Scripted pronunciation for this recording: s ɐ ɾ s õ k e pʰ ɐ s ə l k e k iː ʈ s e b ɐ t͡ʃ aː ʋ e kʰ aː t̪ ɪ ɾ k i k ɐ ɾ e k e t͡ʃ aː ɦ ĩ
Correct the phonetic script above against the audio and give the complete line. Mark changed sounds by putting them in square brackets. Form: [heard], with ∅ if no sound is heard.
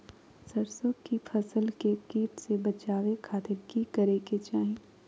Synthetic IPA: s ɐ ɾ s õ k [i] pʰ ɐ s ə l k e k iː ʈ s e b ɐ t͡ʃ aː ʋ e kʰ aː t̪ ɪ ɾ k i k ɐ ɾ e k e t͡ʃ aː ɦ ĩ